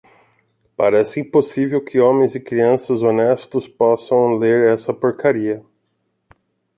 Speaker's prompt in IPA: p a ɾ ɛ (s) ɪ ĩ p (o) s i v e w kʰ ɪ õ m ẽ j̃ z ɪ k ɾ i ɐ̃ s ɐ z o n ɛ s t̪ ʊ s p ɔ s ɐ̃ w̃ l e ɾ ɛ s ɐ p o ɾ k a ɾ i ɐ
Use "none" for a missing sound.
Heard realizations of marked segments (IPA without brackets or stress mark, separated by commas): s, o